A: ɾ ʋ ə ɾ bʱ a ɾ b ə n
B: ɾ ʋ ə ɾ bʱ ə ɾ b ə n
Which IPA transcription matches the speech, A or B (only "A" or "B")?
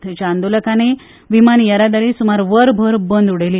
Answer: B